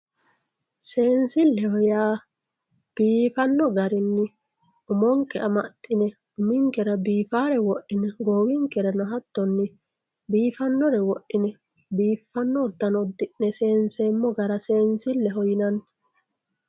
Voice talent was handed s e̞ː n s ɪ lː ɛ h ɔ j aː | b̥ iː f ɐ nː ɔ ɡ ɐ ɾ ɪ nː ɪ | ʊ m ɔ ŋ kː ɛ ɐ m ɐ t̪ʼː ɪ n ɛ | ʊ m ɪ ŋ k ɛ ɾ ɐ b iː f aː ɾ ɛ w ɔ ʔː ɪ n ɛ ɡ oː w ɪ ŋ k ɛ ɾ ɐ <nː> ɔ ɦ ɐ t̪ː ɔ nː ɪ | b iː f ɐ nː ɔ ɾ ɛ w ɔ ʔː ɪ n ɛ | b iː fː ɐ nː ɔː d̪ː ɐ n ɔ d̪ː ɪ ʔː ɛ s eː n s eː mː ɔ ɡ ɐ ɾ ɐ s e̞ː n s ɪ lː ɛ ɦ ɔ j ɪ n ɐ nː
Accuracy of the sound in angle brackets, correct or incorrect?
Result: incorrect: n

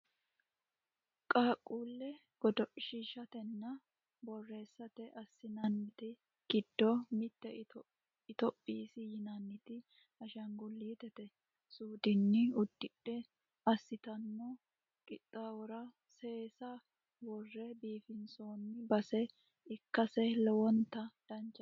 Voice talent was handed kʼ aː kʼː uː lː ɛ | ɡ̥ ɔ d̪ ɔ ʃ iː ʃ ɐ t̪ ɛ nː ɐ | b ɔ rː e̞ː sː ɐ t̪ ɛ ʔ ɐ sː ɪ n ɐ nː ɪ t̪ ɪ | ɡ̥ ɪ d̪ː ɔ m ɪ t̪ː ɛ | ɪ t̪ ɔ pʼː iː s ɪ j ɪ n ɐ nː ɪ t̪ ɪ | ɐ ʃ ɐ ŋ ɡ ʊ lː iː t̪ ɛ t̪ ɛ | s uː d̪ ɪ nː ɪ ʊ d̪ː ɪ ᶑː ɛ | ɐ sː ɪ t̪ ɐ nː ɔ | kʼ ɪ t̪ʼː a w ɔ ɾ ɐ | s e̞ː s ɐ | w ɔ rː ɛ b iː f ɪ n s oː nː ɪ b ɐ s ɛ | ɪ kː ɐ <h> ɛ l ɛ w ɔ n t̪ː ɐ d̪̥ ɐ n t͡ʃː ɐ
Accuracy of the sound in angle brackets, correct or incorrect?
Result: incorrect: s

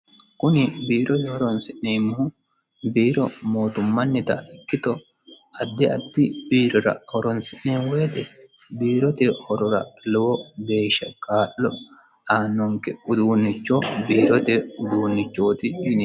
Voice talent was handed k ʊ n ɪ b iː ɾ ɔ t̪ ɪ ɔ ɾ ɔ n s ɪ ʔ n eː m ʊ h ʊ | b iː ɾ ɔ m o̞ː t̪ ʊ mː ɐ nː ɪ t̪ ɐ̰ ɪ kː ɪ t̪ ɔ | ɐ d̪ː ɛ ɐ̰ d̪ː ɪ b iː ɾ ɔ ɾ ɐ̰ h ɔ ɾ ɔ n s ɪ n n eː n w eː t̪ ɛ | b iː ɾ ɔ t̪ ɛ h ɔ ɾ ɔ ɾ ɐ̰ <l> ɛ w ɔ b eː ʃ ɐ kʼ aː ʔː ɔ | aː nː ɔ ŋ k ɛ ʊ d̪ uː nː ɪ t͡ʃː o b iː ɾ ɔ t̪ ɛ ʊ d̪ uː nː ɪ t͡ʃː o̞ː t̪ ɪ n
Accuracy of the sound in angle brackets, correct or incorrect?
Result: correct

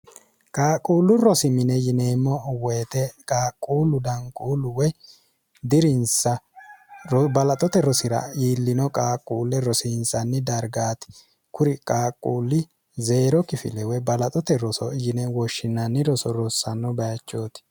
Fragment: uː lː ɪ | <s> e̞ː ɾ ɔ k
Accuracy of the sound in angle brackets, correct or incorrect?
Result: incorrect: z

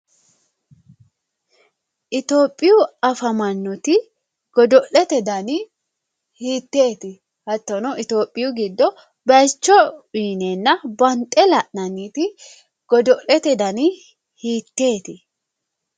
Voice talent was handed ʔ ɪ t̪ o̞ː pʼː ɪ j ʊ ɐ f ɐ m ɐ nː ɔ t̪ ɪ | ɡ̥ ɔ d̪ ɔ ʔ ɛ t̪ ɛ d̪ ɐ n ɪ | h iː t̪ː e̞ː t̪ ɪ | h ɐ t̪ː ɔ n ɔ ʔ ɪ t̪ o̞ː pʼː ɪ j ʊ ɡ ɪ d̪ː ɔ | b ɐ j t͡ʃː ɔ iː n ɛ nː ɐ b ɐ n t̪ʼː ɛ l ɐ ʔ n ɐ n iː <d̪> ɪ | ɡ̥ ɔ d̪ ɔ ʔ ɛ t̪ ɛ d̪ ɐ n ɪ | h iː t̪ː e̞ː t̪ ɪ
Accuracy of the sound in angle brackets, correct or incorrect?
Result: incorrect: t̪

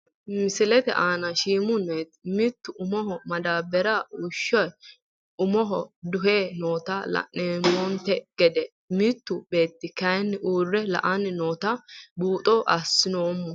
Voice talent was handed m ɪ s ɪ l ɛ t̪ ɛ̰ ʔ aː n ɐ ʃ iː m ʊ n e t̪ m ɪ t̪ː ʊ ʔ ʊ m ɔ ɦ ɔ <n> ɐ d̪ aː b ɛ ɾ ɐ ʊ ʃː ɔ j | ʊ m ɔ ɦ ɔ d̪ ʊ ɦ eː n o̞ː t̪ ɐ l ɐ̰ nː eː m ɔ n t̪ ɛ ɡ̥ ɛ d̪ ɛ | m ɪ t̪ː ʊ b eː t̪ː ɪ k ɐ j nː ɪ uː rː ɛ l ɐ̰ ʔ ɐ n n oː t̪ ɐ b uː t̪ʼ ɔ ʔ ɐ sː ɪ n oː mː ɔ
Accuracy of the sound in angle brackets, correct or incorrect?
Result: incorrect: m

